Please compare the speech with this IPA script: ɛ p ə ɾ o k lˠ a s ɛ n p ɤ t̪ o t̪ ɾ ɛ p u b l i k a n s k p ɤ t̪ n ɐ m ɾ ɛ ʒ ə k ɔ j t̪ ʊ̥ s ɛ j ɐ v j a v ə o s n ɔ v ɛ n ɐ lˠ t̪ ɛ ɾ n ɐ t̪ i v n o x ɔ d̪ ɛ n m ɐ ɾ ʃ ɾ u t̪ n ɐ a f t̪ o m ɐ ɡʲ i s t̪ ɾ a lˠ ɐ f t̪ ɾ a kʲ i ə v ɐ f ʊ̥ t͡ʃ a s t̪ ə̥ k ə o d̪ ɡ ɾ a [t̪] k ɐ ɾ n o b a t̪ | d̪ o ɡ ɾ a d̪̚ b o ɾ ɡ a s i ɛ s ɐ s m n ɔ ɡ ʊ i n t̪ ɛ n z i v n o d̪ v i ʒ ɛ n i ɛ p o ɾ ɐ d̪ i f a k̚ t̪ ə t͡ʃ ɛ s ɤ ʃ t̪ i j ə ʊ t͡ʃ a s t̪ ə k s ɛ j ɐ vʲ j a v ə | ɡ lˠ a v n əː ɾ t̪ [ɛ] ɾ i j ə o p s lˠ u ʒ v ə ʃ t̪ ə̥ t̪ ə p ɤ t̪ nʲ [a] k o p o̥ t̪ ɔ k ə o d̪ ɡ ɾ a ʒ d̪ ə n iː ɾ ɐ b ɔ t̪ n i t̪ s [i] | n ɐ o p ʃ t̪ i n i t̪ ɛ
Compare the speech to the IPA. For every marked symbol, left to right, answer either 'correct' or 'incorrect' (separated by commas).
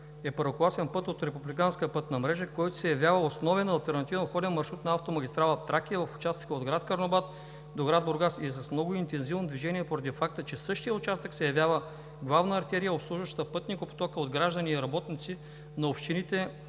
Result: correct, correct, incorrect, correct